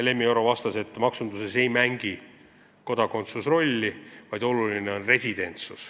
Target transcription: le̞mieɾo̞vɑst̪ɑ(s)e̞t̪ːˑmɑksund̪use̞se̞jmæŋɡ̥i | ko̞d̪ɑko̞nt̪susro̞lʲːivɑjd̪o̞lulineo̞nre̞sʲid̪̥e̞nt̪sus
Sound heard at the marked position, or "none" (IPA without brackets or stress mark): s